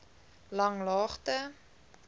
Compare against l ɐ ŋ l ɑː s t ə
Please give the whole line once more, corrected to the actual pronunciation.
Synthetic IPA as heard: l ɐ ŋ l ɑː χ t ə